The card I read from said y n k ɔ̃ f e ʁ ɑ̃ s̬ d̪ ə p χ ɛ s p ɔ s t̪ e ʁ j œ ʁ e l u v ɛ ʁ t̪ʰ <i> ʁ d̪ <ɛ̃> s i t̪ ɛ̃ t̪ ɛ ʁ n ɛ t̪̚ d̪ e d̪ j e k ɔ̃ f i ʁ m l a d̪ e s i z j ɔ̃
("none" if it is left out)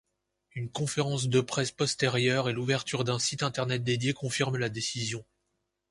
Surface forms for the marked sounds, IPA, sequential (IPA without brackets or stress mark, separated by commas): y, ɛ̃